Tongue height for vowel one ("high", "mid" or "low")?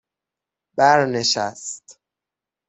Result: low